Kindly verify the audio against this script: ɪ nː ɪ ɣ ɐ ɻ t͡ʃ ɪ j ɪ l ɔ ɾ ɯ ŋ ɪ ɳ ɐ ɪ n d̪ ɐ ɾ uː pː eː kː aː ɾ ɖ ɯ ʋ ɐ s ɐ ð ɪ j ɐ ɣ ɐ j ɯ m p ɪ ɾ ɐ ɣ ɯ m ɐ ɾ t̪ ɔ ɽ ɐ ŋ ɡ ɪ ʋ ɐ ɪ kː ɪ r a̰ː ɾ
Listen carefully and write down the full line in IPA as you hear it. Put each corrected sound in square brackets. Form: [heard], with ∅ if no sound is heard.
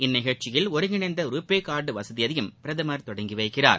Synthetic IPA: ɪ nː ɪ ɣ ɐ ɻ t͡ʃ ɪ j ɪ l ɔ ɾ ɯ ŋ ɪ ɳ ɐ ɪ n d̪ ɐ ɾ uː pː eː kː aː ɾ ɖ ɯ ʋ ɐ s ɐ ð ɪ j ɐ [ð] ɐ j ɯ m p ɪ ɾ ɐ [ð] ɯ m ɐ ɾ t̪ ɔ ɽ ɐ ŋ ɡ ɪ ʋ ɐ ɪ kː ɪ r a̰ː ɾ

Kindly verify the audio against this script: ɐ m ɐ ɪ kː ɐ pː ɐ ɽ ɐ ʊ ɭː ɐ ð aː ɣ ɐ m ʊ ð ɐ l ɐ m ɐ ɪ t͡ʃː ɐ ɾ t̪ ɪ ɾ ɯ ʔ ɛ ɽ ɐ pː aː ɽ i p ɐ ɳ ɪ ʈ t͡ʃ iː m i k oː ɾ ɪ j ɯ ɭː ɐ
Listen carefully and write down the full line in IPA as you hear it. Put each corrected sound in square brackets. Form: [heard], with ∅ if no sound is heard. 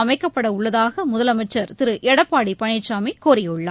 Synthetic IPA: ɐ m ɐ ɪ kː ɐ pː ɐ ɽ ɐ ʊ ɭː ɐ ð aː ɣ ɐ m ʊ ð ɐ l ɐ m ɐ ɪ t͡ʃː ɐ ɾ t̪ ɪ ɾ ɯ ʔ ɛ ɽ ɐ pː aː ɽ i p ɐ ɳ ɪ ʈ t͡ʃ [aː] m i k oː ɾ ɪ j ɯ ɭː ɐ

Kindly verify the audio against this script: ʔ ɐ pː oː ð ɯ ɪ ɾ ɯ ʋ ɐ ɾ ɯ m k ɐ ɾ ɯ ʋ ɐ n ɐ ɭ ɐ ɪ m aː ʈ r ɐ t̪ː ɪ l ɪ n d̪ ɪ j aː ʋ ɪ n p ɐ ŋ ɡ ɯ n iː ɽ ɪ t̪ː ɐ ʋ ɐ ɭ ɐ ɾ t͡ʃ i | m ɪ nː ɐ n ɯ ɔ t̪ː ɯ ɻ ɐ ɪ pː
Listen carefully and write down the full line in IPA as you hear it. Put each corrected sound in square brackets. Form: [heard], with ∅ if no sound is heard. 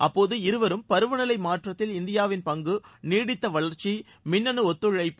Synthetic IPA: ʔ ɐ pː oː ð ɯ ɪ ɾ ɯ ʋ ɐ ɾ ɯ m [p] ɐ ɾ ɯ ʋ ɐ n ɐ [l] ɐ ɪ m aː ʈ r ɐ t̪ː ɪ l ɪ n d̪ ɪ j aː ʋ ɪ n p ɐ ŋ ɡ ɯ n iː ɽ ɪ t̪ː ɐ ʋ ɐ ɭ ɐ ɾ t͡ʃ i | m ɪ nː ɐ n ɯ ɔ t̪ː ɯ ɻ ɐ ɪ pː

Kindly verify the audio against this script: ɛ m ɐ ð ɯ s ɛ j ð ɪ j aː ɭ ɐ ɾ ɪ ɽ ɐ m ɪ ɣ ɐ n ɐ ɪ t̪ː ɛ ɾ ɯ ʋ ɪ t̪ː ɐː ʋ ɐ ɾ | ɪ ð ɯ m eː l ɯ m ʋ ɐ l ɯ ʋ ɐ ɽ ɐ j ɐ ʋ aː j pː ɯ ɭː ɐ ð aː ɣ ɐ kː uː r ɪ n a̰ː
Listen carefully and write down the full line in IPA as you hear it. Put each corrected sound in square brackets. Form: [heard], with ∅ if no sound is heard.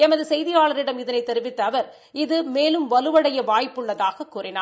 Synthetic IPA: ɛ m ɐ ð ɯ s ɛ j ð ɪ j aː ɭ ɐ ɾ ɪ ɽ ɐ m ɪ [ð] ɐ n ɐ ɪ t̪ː ɛ ɾ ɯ ʋ ɪ t̪ː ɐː ʋ ɐ ɾ | ɪ ð ɯ m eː l ɯ m ʋ ɐ l ɯ ʋ ɐ ɽ ɐ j ɐ ʋ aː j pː ɯ ɭː ɐ ð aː ɣ ɐ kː uː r ɪ n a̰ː

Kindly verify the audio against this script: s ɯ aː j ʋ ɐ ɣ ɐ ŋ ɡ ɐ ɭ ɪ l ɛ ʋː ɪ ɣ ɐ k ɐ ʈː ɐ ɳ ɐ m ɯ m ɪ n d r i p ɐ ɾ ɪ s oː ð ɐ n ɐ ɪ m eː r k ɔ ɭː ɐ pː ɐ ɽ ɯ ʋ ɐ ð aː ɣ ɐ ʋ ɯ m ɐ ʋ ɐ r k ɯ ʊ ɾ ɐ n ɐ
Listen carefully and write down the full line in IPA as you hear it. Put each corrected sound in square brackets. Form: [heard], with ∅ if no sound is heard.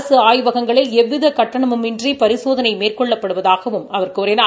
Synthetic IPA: s ɯ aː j ʋ ɐ ɣ ɐ ŋ ɡ ɐ ɭ ɪ l ɛ ʋː ɪ [ð] ɐ k ɐ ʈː ɐ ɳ ɐ m ɯ m ɪ n d r i p ɐ ɾ ɪ s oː ð ɐ n ɐ ɪ m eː r k ɔ ɭː ɐ pː ɐ ɽ ɯ ʋ ɐ ð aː ɣ ɐ ʋ ɯ m ɐ ʋ ɐ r k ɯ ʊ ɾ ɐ n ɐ

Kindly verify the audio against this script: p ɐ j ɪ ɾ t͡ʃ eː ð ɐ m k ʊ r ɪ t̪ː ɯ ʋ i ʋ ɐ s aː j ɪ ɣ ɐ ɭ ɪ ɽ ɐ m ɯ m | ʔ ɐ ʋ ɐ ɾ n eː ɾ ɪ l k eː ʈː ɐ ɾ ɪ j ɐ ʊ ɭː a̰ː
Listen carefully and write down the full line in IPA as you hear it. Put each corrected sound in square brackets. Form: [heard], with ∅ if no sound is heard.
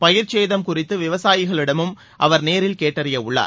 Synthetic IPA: p ɐ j ɪ ɾ t͡ʃ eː ð ɐ m k ʊ r ɪ t̪ː ɯ ʋ [ɪ] ʋ ɐ s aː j ɪ ɣ ɐ ɭ ɪ ɽ ɐ m ɯ m | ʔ ɐ ʋ ɐ ɾ n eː ɾ ɪ l k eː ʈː ɐ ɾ ɪ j ɐ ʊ ɭː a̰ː

